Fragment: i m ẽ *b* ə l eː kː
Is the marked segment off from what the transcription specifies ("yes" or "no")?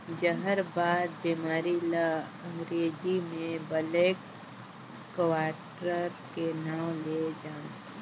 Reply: no